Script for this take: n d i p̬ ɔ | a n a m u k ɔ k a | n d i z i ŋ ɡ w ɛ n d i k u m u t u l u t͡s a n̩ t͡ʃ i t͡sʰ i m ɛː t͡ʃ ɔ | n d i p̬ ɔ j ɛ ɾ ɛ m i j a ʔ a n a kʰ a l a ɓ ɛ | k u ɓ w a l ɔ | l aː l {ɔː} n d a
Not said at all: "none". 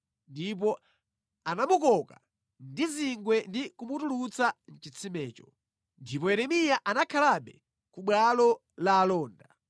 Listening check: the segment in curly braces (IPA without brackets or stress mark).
ɔː